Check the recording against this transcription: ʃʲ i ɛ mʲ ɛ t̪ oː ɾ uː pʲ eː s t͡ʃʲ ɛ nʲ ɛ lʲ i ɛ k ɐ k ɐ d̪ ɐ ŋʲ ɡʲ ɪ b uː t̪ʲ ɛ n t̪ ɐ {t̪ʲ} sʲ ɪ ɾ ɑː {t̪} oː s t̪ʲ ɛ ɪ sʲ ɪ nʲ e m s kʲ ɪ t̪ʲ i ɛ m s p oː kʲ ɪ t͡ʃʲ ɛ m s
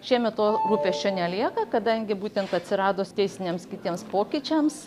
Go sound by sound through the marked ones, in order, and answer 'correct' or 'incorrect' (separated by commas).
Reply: correct, incorrect